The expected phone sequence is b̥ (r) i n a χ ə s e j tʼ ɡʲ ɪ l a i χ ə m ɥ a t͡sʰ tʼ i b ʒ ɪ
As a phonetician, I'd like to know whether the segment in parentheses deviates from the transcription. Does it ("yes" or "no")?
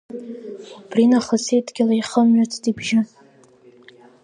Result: no